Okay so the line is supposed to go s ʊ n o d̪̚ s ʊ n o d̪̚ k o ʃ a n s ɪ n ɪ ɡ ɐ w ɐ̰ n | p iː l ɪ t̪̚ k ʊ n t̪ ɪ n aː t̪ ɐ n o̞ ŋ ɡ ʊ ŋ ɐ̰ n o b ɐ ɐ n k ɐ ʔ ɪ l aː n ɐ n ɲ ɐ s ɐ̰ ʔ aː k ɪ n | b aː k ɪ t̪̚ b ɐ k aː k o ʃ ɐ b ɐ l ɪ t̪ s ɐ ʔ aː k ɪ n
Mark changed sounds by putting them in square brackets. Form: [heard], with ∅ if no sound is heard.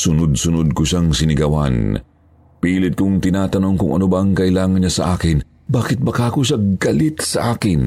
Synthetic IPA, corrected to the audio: s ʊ n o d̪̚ s ʊ n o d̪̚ k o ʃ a [ŋ] s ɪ n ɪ ɡ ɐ w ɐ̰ n | p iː l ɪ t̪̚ k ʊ [ŋ] t̪ ɪ n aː t̪ ɐ n o̞ ŋ [k] ʊ ŋ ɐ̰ n o b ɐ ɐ [ŋ] k ɐ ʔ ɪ l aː [ŋ] ɐ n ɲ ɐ s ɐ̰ ʔ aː k ɪ n | b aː k ɪ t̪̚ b ɐ k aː k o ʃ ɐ [ɡ] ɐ l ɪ t̪ s ɐ ʔ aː k ɪ n